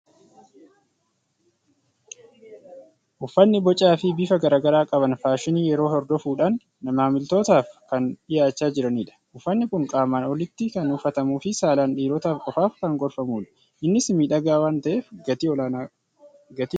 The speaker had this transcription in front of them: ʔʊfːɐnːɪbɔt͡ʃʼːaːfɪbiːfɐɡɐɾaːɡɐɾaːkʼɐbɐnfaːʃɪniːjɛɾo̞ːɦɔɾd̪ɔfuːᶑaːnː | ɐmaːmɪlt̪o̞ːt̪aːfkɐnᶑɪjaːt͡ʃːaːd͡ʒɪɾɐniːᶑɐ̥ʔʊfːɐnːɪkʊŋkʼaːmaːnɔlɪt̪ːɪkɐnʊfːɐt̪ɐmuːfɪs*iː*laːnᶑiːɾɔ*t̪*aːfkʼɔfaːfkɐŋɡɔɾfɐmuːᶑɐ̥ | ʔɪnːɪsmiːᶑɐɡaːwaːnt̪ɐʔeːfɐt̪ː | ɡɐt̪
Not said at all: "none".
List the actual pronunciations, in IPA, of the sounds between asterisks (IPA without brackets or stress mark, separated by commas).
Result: aː, t̪